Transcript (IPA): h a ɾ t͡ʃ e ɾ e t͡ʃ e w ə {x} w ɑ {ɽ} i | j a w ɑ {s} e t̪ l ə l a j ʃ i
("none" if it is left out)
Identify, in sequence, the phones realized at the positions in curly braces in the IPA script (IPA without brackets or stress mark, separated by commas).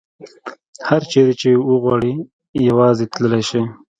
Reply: ɣ, ɽ, z